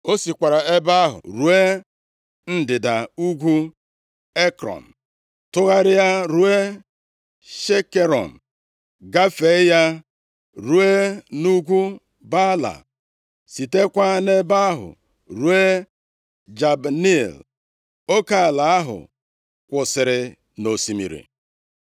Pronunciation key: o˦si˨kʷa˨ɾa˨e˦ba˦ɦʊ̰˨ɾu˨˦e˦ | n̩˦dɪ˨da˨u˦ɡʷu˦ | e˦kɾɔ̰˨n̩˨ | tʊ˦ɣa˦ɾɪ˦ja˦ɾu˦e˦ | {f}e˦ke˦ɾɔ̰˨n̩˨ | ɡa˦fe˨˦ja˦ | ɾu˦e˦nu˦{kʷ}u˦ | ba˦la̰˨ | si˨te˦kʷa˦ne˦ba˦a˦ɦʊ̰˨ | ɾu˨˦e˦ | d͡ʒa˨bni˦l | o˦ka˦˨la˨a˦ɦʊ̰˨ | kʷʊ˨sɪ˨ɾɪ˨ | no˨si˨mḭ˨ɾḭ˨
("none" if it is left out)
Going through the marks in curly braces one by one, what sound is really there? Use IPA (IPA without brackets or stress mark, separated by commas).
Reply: ʃ, ɡʷ